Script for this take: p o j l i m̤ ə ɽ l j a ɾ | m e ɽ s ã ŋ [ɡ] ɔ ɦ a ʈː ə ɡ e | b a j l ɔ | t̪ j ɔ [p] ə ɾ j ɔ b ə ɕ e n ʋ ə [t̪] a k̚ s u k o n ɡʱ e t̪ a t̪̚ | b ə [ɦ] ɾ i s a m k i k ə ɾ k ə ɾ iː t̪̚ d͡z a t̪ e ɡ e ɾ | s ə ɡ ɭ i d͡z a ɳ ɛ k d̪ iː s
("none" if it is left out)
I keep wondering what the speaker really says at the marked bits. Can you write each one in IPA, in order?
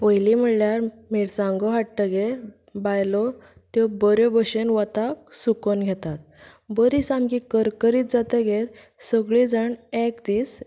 ɡ, b, t̪, none

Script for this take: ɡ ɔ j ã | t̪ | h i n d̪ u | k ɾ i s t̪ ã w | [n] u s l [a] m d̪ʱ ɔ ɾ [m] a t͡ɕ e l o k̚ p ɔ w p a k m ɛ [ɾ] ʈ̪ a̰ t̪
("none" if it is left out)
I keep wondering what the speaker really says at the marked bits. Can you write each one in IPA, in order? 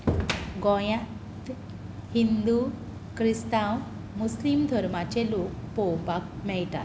m, i, m, ɭ

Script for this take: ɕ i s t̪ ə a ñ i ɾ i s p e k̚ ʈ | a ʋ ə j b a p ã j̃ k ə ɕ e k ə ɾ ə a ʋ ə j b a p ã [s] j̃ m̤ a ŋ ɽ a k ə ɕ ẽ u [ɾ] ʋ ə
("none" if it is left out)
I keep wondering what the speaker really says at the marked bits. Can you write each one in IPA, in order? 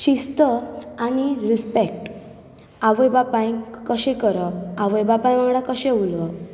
none, l

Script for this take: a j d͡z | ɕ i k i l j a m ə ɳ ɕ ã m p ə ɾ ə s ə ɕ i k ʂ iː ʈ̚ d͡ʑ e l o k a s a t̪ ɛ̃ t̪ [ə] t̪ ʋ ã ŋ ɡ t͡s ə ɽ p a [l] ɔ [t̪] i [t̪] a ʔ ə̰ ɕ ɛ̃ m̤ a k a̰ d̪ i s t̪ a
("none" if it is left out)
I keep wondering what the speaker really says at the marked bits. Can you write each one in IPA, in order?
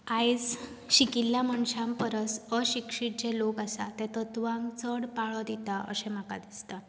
ə, ɭ, d̪, t̪

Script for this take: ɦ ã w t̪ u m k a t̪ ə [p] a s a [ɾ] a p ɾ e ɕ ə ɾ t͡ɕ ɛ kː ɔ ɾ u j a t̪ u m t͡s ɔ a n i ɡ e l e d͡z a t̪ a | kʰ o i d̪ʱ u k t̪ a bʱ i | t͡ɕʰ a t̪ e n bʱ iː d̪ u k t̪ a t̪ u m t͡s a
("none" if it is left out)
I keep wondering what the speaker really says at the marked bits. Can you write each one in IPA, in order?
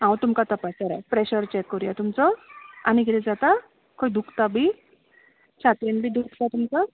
p, ɾ

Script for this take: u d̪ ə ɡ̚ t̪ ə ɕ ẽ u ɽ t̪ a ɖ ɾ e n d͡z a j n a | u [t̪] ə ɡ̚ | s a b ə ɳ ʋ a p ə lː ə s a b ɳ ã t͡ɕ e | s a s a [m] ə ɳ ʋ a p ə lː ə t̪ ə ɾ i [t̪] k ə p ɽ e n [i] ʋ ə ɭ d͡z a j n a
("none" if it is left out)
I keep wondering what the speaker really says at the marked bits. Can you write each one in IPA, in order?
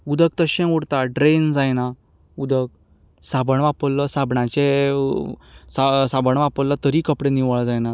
d̪, b, none, i

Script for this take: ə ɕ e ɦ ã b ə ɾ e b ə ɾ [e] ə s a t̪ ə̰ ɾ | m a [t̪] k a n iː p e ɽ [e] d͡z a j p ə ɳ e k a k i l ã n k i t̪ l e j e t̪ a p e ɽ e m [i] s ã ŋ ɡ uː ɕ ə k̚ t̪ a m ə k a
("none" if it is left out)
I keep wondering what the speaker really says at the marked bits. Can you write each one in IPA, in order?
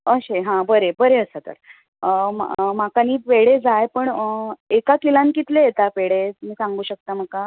e, none, e, iː

